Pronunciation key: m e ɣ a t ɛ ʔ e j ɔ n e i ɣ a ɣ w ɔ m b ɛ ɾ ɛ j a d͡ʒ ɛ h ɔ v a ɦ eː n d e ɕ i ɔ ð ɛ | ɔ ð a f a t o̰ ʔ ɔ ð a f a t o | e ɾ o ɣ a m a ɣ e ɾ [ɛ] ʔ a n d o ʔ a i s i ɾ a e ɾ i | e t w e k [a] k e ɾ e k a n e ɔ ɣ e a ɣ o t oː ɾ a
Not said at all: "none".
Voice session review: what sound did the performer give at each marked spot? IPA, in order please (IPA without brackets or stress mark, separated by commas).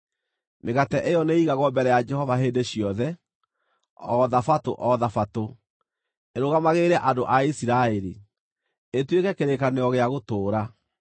ɛ, ɛ